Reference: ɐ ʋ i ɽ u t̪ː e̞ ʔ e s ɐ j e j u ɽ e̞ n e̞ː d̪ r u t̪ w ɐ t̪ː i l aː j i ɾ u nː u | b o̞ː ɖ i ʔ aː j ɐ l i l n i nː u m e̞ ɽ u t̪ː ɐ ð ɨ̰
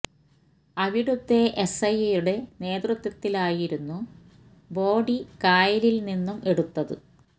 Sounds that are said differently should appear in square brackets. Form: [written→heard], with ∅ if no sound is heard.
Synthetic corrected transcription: ɐ ʋ i ɽ u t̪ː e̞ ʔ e s ɐ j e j u ɽ e̞ n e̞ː d̪ r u t̪ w ɐ t̪ː i l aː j i ɾ u nː u | b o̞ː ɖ i [ʔ→k] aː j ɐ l i l n i nː u m e̞ ɽ u t̪ː ɐ ð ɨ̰